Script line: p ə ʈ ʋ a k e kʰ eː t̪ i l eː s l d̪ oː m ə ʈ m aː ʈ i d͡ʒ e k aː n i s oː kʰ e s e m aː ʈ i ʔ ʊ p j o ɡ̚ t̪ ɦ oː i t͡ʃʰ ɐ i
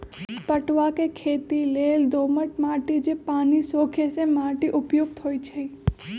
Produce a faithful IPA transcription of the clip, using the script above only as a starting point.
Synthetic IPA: p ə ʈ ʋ a k e kʰ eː t̪ i l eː l d̪ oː m ə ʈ m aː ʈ i d͡ʒ e p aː n i s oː kʰ e s e m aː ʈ i ʔ ʊ p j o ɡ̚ t̪ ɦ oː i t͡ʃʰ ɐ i